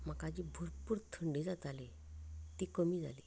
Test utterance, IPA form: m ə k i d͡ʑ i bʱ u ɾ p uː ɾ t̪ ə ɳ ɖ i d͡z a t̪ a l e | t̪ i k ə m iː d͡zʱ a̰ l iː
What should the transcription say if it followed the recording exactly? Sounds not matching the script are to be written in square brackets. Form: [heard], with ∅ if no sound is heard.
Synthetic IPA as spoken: m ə k [a] d͡ʑ i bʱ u ɾ p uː ɾ [t̪ʰ] ə ɳ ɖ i d͡z a t̪ a l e | t̪ i k ə m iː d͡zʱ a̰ l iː